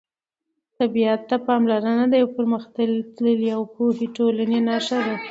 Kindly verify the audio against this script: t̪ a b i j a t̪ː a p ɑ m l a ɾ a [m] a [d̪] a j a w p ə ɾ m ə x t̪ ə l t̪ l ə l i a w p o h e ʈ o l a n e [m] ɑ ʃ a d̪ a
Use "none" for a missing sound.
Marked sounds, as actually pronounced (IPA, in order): n, d̪, n

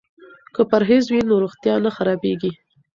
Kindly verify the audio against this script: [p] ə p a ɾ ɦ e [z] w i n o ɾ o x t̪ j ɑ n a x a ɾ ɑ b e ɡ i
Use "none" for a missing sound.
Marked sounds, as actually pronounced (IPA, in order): k, z

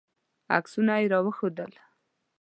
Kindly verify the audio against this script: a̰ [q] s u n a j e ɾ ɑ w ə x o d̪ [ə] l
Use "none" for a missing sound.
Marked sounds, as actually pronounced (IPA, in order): k, ə

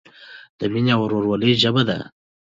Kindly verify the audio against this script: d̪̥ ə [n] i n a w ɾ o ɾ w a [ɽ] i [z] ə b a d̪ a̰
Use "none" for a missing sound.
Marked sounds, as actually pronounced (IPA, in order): m, l, ʒ

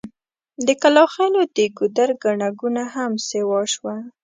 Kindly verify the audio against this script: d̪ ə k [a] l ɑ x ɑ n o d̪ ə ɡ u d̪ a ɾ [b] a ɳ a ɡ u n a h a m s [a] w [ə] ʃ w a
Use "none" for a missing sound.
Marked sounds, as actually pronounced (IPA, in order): a, ɡ, e, ɑ

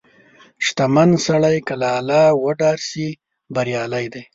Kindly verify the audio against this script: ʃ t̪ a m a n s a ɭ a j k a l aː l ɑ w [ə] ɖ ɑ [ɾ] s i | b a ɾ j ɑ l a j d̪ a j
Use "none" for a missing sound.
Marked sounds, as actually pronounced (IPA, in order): ə, ɾ

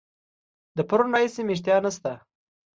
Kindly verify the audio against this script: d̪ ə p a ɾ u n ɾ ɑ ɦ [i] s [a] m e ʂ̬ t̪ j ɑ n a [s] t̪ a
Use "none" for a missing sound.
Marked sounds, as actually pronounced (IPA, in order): i, e, s

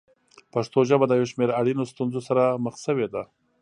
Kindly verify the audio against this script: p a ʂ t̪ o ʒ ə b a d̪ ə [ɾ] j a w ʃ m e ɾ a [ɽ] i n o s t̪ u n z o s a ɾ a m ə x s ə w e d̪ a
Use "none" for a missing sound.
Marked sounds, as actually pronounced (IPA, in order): none, ɽ

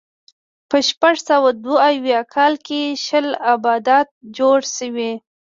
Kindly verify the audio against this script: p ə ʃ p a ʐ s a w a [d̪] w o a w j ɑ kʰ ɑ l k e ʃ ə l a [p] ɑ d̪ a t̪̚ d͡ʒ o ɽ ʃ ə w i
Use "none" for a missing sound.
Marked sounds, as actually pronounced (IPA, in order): d̪, b

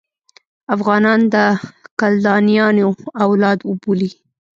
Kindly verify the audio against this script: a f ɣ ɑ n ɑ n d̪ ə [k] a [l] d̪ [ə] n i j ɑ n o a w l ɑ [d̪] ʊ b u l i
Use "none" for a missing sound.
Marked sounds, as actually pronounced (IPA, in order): k, l, ɑ, d̪

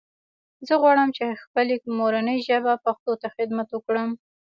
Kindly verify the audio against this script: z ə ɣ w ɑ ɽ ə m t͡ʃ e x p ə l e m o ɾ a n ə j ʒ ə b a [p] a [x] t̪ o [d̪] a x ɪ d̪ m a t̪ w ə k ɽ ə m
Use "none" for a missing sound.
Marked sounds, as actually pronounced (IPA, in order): p, x, t̪

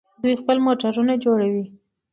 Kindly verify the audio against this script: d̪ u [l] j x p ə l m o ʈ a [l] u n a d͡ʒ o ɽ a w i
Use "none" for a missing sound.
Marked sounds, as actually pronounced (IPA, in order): none, ɾ

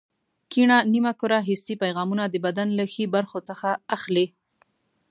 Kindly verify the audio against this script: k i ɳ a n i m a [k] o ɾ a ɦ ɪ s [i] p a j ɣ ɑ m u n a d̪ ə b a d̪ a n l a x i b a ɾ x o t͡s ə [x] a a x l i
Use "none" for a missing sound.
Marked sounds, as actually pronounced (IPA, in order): k, i, x

